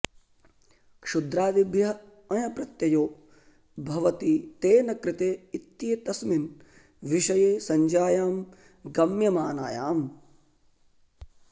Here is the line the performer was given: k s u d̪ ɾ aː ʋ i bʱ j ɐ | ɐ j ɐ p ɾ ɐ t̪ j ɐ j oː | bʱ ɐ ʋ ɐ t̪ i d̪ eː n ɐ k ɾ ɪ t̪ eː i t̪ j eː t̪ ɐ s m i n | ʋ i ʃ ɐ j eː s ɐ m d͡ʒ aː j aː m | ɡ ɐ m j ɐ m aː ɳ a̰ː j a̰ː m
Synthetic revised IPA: k ʂ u d̪ ɾ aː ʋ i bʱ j ɐ | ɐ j ɐ p ɾ ɐ t̪ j ɐ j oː | bʱ ɐ ʋ ɐ t̪ i t̪ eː n ɐ k ɾ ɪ t̪ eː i t̪ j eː t̪ ɐ s m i n | ʋ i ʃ ɐ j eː s ɐ ɲ d͡ʒ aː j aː m | ɡ ɐ m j ɐ m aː n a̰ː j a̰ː m